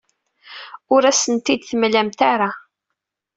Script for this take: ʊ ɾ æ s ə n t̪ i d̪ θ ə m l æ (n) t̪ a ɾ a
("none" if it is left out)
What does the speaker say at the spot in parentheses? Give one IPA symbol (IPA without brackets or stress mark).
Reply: m